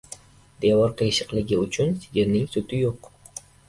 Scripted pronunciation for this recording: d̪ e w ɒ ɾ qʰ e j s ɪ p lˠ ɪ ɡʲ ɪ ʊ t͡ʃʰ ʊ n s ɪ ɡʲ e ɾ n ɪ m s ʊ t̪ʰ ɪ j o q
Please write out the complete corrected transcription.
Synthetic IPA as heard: d̪ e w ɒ ɾ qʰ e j ʃ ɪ q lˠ ɪ ɡʲ ɪ ʊ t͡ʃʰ ʊ n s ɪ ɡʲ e ɾ n ɪ ŋ s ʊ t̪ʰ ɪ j o q

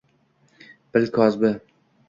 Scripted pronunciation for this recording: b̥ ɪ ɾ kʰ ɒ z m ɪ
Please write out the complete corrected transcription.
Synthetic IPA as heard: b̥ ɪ l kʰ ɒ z b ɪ

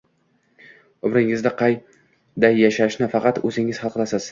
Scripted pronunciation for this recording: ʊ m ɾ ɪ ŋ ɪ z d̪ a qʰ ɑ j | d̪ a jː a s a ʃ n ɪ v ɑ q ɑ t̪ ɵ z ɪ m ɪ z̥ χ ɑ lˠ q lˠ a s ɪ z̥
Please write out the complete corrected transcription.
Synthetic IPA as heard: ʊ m ɾ ɪ ŋ ɪ z d̪ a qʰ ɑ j | d̪ a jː a ʃ a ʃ n ɪ f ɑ q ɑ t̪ ɵ z ɪ ŋ ɪ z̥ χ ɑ lˠ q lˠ a s ɪ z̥

